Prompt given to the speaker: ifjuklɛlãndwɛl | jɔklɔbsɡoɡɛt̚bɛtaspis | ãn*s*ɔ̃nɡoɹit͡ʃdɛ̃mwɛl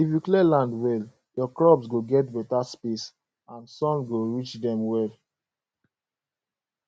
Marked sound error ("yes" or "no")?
no